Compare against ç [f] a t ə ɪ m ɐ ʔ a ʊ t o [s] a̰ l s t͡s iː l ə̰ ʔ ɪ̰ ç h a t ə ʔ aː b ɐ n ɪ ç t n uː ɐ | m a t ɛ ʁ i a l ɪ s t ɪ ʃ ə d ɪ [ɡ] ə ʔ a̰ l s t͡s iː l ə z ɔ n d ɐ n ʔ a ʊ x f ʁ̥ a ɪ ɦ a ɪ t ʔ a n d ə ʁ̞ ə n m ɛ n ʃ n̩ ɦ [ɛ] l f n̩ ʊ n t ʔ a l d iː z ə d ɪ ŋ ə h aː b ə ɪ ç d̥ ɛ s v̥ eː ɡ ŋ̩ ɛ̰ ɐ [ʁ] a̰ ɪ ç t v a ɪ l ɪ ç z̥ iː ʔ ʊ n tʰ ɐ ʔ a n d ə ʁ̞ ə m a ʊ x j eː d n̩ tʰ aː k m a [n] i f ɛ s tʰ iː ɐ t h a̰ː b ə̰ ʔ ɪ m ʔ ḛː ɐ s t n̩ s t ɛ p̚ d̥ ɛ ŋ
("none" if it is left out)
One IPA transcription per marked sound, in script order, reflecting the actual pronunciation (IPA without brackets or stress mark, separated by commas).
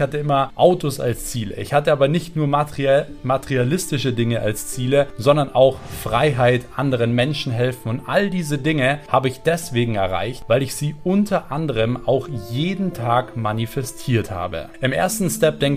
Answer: h, s, ŋ, ɛ, ʁ, n